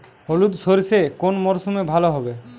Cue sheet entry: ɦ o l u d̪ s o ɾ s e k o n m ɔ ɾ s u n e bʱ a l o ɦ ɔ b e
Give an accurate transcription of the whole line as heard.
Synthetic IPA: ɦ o l u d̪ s o ɾ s e k o n m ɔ ɾ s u m e bʱ a l o ɦ ɔ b e